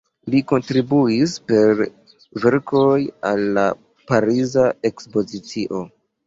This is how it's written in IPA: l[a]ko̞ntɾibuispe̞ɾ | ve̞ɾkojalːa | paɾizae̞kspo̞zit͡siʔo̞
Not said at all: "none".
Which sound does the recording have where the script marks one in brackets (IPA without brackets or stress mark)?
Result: i